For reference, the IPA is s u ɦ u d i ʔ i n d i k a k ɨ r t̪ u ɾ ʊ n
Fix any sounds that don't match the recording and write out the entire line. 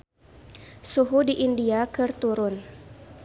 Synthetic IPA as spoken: s u ɦ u d i ʔ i n d i a k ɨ r t̪ u ɾ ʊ n